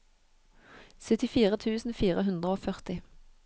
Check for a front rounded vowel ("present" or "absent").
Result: present